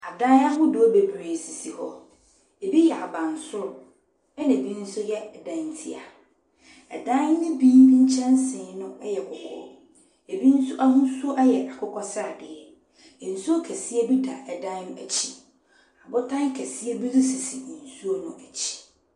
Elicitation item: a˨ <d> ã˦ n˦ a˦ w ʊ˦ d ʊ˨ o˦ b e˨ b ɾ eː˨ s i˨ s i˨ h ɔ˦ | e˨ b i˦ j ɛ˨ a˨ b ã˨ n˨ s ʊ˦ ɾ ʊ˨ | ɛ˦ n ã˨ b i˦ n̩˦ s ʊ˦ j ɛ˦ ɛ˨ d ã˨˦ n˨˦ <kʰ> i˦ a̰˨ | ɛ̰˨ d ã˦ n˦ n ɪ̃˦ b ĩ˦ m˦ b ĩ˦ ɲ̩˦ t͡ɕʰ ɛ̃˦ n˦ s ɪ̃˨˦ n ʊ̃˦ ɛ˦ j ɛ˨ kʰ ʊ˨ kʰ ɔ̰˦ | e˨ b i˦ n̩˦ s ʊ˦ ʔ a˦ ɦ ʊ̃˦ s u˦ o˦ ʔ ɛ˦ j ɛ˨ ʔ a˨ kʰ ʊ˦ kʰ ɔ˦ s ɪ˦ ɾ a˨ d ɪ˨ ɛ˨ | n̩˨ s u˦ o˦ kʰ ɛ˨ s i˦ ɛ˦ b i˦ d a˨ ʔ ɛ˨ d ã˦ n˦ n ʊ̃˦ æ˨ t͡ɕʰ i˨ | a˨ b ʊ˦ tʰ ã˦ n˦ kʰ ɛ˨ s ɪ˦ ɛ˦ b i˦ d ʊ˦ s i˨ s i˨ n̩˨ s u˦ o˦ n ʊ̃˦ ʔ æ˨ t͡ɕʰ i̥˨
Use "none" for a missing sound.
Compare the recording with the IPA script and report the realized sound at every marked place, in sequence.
d, tʰ

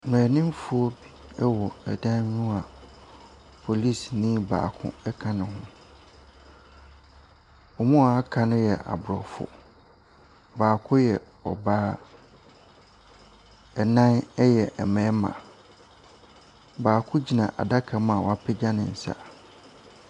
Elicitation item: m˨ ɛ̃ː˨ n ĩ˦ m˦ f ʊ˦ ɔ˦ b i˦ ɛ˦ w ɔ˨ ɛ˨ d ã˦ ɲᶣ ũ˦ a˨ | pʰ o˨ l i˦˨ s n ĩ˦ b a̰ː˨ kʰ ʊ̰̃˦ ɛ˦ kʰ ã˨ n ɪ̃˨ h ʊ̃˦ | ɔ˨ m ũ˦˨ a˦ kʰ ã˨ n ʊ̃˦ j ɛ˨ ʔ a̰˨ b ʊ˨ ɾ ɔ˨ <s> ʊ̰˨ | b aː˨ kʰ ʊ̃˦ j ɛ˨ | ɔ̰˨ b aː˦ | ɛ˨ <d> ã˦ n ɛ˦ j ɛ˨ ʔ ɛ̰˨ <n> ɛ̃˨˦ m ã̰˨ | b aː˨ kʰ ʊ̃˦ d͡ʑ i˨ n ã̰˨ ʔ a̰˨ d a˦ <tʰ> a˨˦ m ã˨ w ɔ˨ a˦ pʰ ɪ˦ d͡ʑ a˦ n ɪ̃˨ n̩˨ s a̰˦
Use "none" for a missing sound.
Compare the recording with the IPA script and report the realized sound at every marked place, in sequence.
f, n, m, kʰ

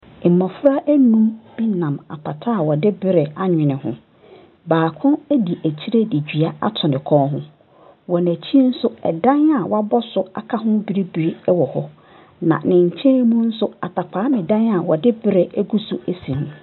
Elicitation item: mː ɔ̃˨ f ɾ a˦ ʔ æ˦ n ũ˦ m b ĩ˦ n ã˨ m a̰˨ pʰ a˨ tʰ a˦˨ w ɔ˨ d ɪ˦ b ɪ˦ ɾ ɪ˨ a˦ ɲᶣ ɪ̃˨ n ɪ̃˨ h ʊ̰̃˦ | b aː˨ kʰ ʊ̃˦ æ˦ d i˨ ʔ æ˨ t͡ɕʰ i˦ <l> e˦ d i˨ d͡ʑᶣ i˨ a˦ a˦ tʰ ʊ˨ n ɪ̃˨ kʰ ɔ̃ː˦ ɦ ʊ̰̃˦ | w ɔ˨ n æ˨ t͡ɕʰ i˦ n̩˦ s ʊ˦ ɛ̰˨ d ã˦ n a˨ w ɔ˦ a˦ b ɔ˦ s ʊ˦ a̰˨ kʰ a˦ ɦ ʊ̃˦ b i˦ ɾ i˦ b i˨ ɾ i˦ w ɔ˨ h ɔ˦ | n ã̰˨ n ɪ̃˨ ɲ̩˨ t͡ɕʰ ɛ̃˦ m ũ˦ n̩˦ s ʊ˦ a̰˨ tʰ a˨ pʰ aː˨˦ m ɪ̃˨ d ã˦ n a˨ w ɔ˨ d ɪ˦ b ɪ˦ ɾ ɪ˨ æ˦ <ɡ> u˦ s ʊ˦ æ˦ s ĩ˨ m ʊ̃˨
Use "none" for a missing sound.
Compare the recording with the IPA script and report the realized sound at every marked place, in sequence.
ɾ, ɡ

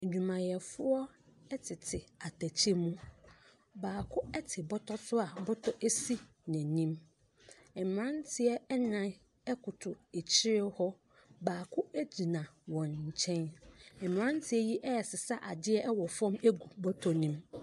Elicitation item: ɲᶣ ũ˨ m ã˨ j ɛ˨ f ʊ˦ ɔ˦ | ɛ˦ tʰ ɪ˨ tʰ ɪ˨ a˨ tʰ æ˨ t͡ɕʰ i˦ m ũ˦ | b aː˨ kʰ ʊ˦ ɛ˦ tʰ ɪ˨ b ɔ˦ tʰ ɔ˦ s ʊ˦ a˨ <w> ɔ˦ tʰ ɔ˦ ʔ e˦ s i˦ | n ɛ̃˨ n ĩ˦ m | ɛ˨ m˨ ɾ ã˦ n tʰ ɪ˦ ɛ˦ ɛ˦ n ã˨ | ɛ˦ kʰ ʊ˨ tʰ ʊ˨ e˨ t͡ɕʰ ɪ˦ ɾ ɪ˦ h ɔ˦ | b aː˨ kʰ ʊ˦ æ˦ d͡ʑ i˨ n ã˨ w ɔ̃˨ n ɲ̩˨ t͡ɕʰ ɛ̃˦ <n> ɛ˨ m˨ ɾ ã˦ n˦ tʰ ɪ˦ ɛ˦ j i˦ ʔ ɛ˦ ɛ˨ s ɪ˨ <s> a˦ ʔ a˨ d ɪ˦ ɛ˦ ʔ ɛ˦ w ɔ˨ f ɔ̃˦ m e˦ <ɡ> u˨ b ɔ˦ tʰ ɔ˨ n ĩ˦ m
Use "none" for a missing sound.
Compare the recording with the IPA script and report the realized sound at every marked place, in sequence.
b, n, s, ɡ

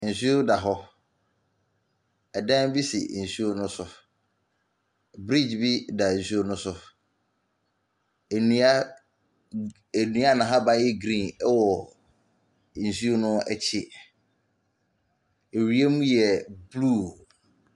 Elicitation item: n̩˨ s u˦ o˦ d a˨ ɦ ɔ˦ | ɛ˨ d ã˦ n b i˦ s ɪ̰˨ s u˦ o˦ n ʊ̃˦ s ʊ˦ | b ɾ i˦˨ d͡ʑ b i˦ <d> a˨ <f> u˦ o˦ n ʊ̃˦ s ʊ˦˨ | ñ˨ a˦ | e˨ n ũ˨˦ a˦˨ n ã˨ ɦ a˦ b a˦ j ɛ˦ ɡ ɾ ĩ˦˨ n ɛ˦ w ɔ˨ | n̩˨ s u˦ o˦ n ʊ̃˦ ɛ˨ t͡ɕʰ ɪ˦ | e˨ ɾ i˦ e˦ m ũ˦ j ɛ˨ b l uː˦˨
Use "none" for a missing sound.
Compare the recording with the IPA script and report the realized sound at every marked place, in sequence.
d, s

